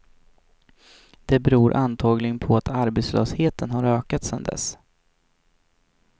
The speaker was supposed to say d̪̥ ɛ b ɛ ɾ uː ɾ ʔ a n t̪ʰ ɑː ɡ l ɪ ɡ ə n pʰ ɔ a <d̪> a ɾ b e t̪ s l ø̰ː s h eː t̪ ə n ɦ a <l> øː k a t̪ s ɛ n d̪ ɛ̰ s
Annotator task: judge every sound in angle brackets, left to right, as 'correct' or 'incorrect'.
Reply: incorrect, incorrect

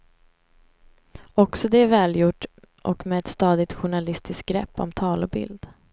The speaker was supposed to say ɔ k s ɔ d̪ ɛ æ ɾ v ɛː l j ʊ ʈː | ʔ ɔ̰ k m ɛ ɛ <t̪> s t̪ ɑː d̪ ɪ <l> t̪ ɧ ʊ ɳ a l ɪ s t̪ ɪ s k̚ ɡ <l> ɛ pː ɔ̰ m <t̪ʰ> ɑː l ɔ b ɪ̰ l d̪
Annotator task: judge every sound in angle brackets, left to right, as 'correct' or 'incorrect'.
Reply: correct, incorrect, incorrect, correct

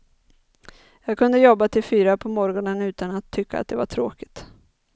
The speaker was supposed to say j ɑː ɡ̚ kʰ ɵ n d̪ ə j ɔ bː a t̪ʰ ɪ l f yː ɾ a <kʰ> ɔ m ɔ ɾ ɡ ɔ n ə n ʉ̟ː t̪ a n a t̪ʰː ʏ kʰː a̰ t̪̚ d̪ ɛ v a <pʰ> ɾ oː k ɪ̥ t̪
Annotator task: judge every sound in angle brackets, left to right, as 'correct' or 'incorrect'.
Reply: incorrect, incorrect

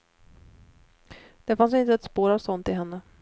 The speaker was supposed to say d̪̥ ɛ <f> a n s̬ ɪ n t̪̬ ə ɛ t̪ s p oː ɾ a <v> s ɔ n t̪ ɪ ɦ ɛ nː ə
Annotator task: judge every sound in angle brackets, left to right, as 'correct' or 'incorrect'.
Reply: correct, correct

